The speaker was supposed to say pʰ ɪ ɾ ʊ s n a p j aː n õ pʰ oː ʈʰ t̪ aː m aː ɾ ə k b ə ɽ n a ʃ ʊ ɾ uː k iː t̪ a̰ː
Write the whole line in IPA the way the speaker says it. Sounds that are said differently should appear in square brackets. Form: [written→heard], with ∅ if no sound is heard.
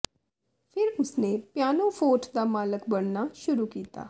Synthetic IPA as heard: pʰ ɪ ɾ ʊ s n [a→e] p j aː n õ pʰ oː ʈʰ [t̪→d̪] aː m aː [ɾ→l] ə k b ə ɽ n a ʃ ʊ ɾ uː k iː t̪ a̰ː